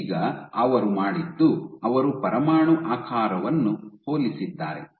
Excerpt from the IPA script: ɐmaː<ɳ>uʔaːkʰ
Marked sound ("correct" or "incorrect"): correct